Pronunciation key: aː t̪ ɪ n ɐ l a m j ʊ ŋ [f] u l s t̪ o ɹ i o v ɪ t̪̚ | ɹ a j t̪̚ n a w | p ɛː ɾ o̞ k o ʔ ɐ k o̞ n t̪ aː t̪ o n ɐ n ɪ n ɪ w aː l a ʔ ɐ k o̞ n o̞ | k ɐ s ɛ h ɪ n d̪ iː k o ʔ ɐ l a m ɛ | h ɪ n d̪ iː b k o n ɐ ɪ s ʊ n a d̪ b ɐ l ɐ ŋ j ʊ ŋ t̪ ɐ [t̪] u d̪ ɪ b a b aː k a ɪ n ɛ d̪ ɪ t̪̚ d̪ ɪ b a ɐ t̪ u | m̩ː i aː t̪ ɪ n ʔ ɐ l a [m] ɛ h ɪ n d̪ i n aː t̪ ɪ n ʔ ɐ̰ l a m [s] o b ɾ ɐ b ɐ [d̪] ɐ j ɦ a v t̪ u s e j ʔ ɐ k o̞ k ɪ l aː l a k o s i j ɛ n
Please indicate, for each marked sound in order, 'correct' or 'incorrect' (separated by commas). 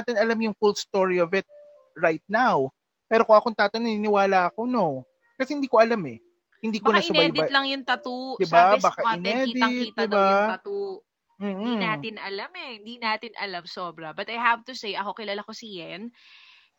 correct, correct, correct, correct, incorrect